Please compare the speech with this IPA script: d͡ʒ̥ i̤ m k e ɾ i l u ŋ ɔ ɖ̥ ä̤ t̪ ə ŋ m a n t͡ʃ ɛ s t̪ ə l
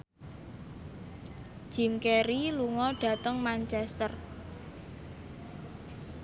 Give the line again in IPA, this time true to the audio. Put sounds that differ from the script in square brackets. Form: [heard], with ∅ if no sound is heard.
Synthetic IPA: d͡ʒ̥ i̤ m k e ɾ i l u ŋ ɔ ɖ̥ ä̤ t̪ ə ŋ m a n t͡ʃ ɛ s t̪ ə [r]